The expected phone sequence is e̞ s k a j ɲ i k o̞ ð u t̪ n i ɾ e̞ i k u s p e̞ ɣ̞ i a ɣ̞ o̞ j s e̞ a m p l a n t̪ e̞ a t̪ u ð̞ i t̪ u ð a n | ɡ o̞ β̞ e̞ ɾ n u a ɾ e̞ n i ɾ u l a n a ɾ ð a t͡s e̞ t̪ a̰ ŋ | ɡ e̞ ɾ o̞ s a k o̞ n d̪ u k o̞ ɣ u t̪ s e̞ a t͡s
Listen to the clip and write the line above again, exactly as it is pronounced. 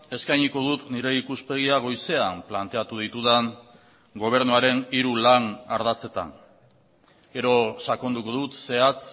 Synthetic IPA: e̞ s k a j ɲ i k o̞ ð u t̪ n i ɾ e̞ i k u s p e̞ ɣ̞ i a ɣ̞ o̞ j s e̞ a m p l a n t̪ e̞ a t̪ u ð̞ i t̪ u ð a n | ɡ o̞ β̞ e̞ ɾ n u a ɾ e̞ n i ɾ u l a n a ɾ ð a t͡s e̞ t̪ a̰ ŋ | ɡ e̞ ɾ o̞ s a k o̞ n d̪ u k o̞ ð u t̪ s e̞ a t͡s